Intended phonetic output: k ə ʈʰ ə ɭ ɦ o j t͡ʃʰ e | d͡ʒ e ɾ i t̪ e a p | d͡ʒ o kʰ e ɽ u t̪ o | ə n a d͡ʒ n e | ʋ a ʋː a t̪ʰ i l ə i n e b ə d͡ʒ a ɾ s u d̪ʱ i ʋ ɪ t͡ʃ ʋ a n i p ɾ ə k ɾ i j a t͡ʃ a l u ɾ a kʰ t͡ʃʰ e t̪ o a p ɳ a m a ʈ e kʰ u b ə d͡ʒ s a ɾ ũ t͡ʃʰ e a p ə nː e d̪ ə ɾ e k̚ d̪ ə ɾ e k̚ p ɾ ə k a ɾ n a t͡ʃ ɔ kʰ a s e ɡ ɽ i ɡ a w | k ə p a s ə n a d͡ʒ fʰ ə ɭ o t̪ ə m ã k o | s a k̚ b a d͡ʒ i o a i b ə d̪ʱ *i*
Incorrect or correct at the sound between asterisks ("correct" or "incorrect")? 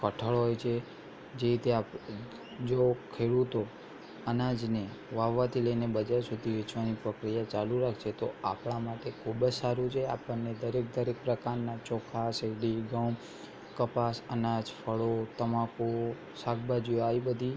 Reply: correct